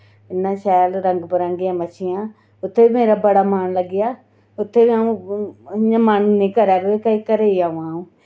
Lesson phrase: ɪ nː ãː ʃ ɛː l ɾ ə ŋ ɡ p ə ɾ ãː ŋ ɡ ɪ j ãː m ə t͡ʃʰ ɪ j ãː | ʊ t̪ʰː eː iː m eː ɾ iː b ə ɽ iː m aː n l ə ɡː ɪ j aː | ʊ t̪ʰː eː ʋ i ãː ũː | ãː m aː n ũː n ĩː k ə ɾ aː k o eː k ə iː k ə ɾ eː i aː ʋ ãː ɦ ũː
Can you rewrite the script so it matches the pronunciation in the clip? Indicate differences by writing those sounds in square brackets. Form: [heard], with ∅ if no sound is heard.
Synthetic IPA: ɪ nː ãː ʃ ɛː l ɾ ə ŋ ɡ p ə ɾ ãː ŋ ɡ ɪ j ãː m ə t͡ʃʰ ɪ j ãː | ʊ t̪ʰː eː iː m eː ɾ [aː] b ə ɽ [aː] m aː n l ə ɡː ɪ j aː | ʊ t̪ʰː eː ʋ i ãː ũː | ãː m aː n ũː n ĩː k ə ɾ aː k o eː k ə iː k ə ɾ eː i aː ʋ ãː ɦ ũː

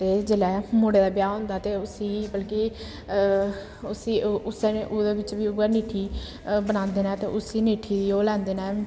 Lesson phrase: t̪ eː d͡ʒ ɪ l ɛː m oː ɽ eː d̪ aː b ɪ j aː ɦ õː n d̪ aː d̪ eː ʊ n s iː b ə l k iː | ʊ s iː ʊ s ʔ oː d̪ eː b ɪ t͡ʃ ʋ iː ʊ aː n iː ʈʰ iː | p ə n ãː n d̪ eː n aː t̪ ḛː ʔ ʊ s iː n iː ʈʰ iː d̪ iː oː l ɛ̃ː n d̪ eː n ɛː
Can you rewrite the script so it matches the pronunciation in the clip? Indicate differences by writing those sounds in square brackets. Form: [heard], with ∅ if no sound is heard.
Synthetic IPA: t̪ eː d͡ʒ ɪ l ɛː m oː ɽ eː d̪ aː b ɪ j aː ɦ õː n d̪ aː [t̪] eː ʊ [∅] s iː b ə l k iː | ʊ s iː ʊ s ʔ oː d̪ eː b ɪ t͡ʃ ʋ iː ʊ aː n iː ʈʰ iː | [b] ə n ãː n d̪ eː n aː t̪ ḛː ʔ ʊ s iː n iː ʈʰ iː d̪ iː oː l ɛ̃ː n d̪ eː n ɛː

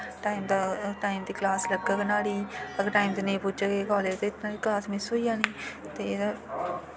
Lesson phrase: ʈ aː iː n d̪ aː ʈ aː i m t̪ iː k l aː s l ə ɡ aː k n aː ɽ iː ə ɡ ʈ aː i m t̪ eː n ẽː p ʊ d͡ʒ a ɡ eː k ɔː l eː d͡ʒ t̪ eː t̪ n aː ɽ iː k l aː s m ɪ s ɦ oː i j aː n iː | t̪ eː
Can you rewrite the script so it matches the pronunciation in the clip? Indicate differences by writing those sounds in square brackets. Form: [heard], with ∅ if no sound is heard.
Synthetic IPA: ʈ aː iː [m] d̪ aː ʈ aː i m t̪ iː k l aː s l ə ɡ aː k n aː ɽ iː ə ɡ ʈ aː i m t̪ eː n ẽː p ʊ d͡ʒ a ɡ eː k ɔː l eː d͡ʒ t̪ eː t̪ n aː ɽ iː k l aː s m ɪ s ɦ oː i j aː n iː | t̪ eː

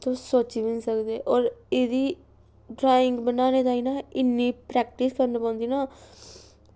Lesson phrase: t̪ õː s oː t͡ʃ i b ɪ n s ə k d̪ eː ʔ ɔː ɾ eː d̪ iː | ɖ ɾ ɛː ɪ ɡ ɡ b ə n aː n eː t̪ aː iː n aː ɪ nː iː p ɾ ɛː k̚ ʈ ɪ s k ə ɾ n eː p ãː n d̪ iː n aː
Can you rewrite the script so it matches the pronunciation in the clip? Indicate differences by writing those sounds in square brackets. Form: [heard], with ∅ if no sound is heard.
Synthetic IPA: t̪ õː s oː t͡ʃ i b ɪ n s ə k d̪ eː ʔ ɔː ɾ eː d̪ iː | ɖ ɾ [aː] ɪ [ŋ] ɡ b ə n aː n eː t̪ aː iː n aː ɪ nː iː p ɾ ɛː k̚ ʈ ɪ s k ə ɾ n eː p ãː n d̪ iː n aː

